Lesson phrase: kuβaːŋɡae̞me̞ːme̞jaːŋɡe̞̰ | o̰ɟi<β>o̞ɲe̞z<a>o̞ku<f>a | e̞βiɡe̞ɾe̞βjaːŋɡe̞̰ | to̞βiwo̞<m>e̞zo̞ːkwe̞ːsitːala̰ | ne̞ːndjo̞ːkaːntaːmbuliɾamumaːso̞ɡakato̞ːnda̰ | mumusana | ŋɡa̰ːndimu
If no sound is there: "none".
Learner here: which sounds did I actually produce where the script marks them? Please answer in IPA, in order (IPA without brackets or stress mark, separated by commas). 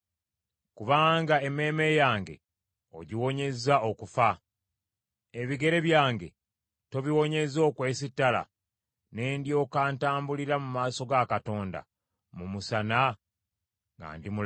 w, a, f, ɲ